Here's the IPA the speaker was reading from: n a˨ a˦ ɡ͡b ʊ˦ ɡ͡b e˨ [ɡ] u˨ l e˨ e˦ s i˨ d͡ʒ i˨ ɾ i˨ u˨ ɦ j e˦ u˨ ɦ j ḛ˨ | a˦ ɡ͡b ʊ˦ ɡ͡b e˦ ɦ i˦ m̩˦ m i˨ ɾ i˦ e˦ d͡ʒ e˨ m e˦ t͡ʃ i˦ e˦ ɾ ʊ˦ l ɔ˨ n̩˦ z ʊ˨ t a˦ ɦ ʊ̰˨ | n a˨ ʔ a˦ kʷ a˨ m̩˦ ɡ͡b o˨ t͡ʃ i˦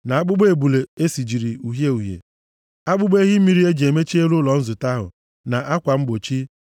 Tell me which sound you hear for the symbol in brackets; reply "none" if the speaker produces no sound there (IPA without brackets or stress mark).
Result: b